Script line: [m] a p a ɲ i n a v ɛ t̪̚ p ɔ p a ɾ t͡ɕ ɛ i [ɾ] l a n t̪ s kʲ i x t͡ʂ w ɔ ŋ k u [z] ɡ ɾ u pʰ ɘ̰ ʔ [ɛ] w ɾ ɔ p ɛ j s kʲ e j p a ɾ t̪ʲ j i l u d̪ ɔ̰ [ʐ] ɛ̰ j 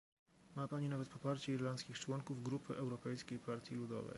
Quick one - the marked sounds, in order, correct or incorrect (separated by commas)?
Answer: correct, correct, incorrect, correct, incorrect